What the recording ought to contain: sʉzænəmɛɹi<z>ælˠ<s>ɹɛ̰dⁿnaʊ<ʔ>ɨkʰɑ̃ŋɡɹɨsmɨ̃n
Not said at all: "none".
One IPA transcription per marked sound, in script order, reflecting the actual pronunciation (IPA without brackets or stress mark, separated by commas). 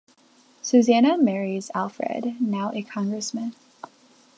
z, f, ʔ